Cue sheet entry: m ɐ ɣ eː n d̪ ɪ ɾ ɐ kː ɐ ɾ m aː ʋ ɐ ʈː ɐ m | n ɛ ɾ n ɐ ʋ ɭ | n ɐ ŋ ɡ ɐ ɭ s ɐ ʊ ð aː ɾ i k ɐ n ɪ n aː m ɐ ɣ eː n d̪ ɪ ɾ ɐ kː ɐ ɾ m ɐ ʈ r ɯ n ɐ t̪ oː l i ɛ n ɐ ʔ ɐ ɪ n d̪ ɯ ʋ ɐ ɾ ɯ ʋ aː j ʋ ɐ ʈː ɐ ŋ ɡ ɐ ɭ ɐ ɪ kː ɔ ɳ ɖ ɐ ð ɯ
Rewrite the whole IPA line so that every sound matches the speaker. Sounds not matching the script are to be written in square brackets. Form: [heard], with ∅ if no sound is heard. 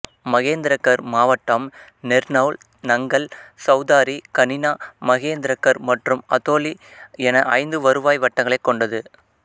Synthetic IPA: m ɐ ɣ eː n d̪ ɪ ɾ ɐ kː ɐ ɾ m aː ʋ ɐ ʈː ɐ m | n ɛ ɾ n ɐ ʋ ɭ | n ɐ ŋ ɡ ɐ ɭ s ɐ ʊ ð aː ɾ i k ɐ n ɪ n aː m ɐ ɣ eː n d̪ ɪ ɾ ɐ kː ɐ ɾ m ɐ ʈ r ɯ [m] ɐ t̪ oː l i ɛ n ɐ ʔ ɐ ɪ n d̪ ɯ ʋ ɐ ɾ ɯ ʋ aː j ʋ ɐ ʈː ɐ ŋ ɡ ɐ ɭ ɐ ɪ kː ɔ ɳ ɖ ɐ ð ɯ